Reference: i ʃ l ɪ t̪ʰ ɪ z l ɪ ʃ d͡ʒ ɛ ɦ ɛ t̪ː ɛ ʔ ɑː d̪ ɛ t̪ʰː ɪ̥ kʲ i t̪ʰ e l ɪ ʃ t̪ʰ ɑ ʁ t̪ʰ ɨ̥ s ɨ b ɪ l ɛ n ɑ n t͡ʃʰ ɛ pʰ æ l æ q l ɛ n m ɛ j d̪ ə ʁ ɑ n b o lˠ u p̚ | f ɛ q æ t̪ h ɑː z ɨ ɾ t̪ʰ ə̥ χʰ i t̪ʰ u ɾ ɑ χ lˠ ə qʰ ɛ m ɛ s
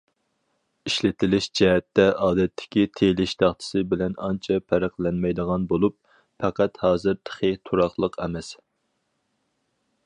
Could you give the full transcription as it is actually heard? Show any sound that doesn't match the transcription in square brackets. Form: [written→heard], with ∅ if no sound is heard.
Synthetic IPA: i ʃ l ɪ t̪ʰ ɪ [z→∅] l ɪ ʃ d͡ʒ ɛ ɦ ɛ t̪ː ɛ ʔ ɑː d̪ ɛ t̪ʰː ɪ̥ kʲ i t̪ʰ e l ɪ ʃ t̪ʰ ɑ [ʁ→χ] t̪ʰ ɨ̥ s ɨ b ɪ l ɛ n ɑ n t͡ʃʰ ɛ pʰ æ [l→ɾ] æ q l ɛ n m ɛ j d̪ ə ʁ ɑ n b o lˠ u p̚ | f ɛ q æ t̪ h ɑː z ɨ ɾ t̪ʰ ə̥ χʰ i t̪ʰ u ɾ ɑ χ lˠ ə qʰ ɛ m ɛ s